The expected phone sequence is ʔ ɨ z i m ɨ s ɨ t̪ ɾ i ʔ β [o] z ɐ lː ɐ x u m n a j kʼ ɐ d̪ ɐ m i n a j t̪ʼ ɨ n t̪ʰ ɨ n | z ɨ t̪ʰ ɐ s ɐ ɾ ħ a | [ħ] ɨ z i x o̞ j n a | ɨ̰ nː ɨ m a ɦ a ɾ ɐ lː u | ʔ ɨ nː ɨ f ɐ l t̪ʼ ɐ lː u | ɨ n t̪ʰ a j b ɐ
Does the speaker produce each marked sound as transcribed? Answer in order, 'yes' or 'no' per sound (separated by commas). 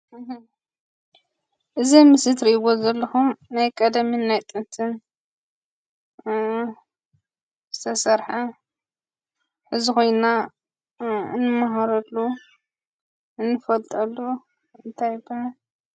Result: yes, yes